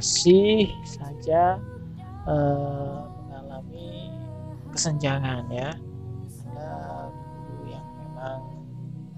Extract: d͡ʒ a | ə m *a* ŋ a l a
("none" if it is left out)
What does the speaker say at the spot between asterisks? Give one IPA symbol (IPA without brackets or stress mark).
ə